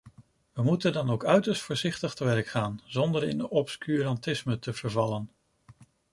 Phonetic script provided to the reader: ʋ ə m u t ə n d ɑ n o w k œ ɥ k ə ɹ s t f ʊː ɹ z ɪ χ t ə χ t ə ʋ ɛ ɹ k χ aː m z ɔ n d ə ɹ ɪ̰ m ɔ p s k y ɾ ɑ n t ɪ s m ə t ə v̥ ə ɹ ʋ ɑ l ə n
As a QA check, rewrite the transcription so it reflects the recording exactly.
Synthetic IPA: ʋ ə m u t ə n d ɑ n o w k œ ɥ t ə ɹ s t f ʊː ɹ z ɪ χ t ə χ t ə ʋ ɛ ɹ k χ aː n z ɔ n d ə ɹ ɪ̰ n ɔ p s k y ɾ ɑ n t ɪ s m ə t ə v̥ ə ɹ v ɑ l ə n